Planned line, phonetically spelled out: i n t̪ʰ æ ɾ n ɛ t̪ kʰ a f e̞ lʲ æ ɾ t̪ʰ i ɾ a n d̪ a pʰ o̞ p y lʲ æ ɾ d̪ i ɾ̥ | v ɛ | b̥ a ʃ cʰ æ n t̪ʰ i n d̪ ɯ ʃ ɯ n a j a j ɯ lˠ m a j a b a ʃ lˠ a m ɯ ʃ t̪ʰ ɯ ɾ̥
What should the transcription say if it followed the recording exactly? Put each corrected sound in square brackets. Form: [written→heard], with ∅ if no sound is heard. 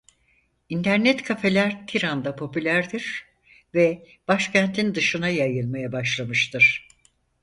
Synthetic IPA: i n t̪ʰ æ ɾ n ɛ t̪ kʰ a f e̞ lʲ æ ɾ t̪ʰ i ɾ a n d̪ a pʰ o̞ p y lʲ æ ɾ d̪ i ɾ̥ | v ɛ | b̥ a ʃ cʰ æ n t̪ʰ i n d̪ ɯ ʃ ɯ n a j a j ɯ lˠ m a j a b a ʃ lˠ a m ɯ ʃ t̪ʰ ɯ ɾ̥